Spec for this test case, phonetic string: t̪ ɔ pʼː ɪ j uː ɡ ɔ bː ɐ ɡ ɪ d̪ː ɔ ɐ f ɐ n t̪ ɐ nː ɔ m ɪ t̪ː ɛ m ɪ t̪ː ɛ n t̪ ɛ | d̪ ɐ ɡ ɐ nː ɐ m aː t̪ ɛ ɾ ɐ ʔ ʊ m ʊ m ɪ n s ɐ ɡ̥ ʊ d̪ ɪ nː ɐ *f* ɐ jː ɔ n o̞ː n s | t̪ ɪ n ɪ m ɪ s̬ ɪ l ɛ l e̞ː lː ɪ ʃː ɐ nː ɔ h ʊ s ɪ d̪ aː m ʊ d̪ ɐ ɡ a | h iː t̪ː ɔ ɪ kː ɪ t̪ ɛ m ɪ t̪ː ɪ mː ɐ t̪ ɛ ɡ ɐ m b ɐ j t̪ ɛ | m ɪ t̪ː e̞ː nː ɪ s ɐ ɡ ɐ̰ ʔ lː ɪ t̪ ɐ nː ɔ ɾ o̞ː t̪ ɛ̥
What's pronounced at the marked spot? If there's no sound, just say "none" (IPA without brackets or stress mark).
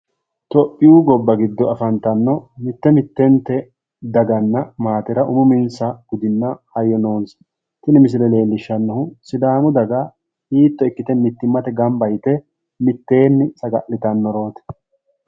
h